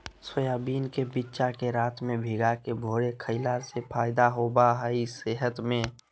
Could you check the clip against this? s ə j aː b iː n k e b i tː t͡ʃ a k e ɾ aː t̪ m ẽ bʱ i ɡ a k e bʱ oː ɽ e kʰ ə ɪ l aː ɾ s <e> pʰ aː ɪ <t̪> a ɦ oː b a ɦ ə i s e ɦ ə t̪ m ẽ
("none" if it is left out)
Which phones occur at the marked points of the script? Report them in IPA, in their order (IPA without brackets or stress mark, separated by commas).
e, d̪